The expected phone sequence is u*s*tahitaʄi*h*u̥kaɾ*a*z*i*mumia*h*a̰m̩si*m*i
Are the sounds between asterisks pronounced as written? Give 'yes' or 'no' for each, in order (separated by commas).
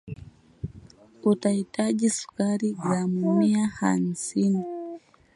no, no, no, no, yes, no